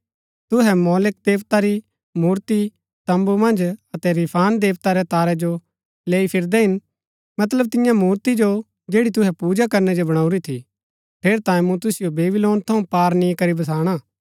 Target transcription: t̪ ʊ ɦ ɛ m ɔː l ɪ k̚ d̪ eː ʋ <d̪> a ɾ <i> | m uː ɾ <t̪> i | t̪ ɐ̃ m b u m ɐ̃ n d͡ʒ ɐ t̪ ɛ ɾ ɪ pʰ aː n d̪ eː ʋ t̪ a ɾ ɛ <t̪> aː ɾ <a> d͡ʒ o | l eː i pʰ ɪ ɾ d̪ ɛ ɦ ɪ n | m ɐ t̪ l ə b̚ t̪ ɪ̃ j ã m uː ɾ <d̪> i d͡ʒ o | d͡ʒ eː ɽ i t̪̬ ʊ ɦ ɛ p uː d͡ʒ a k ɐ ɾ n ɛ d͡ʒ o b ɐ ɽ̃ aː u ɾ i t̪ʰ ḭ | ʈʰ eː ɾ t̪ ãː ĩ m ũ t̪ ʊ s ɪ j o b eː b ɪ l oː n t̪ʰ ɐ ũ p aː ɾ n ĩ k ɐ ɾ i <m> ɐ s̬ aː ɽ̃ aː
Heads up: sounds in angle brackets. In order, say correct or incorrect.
incorrect, correct, correct, correct, incorrect, incorrect, incorrect

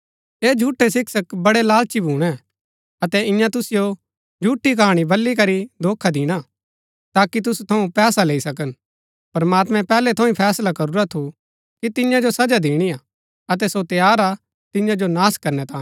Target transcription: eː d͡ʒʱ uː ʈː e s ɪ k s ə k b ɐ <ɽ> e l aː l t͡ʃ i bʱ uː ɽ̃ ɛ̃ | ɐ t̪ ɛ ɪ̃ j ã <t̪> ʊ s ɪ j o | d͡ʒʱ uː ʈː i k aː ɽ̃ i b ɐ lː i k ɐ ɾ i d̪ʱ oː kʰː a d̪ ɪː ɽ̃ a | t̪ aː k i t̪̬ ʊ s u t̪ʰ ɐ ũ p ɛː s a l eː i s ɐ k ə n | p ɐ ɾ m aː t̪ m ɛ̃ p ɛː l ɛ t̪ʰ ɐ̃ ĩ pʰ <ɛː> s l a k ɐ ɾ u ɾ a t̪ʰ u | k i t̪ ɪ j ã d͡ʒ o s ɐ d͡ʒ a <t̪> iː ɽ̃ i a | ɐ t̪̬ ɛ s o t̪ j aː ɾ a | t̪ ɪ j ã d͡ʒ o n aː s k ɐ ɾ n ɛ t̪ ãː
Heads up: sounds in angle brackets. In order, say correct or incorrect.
correct, correct, correct, incorrect

